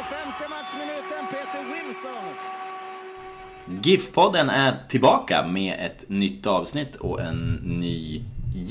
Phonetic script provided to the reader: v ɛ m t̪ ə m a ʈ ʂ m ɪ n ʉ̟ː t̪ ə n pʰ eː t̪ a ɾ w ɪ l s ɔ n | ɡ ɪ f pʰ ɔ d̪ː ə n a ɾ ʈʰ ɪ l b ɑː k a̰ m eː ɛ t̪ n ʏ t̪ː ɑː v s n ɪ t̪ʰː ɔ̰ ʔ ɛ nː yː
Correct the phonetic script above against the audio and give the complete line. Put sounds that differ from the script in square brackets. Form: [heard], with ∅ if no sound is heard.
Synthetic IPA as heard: [f] ɛ m t̪ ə m a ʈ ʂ m ɪ n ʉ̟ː t̪ ə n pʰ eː t̪ [ə] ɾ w ɪ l s ɔ n | ɡ ɪ f pʰ ɔ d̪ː ə n [æ] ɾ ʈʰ ɪ l b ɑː k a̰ m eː ɛ t̪ n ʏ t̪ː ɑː v s n ɪ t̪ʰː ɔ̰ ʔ ɛ nː yː